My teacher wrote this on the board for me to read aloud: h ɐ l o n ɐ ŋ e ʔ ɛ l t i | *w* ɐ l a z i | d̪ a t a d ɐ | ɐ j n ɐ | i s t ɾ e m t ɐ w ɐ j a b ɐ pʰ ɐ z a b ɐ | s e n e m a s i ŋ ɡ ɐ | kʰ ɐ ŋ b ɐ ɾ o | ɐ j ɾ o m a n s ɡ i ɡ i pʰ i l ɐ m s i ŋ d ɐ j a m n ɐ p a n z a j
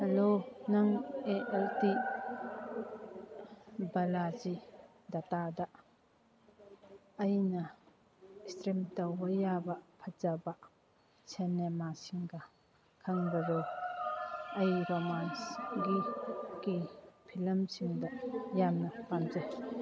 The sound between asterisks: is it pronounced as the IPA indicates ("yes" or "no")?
no